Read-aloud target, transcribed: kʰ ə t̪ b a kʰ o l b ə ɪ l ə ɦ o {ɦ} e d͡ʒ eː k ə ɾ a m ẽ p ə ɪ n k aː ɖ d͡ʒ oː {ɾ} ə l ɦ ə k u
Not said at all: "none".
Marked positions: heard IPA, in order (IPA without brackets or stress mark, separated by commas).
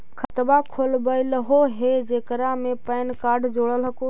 ɦ, ɽ